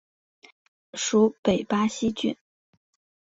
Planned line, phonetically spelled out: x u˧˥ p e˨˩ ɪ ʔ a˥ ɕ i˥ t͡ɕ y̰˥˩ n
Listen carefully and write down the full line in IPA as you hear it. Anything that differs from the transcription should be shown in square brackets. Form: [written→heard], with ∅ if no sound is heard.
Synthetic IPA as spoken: [x→ʂ] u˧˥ p e˨˩ ɪ [ʔ→p] a˥ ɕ i˥ t͡ɕ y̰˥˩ n